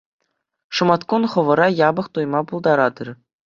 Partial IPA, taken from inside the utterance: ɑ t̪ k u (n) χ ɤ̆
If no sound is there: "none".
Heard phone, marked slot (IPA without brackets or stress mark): n